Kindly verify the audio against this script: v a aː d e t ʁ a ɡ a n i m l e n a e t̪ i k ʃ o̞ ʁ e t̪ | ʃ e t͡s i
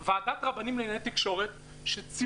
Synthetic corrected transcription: v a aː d a t ʁ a b a n i m l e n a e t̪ i k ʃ o̞ ʁ e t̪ | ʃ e t͡s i